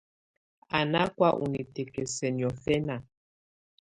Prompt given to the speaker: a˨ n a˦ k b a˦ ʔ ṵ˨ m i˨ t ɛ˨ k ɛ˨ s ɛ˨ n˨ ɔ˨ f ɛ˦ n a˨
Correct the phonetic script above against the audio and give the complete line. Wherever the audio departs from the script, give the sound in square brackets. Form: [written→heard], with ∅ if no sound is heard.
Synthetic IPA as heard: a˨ n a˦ k [b→w] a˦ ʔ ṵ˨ [m→n] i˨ t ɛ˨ k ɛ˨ s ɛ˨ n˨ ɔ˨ f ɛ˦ n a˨